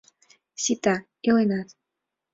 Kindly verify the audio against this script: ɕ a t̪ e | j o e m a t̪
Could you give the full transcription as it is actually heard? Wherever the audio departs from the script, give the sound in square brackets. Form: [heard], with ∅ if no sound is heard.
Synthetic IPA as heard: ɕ [i] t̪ [a] | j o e [n] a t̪